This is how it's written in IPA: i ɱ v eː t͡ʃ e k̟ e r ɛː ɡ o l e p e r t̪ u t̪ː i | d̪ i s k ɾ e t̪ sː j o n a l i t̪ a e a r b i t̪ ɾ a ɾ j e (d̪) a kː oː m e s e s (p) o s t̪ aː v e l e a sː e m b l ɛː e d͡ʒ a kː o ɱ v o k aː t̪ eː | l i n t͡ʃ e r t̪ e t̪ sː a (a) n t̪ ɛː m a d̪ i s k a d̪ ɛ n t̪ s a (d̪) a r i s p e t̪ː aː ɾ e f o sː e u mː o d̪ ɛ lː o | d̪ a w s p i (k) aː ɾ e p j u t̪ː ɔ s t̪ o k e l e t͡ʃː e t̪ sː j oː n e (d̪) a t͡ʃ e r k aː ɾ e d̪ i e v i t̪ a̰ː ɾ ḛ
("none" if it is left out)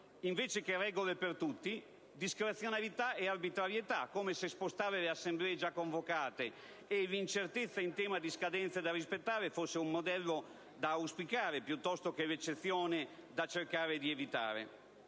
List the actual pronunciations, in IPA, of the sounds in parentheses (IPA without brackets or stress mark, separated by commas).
t̪, p, i, d̪, k, d̪